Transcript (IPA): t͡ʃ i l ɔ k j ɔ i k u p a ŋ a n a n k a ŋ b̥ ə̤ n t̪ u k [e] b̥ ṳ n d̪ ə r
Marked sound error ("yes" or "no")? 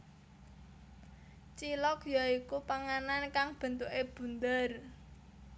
no